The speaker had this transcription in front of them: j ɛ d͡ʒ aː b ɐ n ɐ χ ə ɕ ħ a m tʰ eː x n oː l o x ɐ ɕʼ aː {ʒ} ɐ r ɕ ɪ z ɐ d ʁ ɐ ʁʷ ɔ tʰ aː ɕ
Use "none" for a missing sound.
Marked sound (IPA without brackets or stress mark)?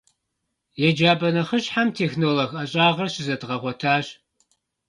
ʁ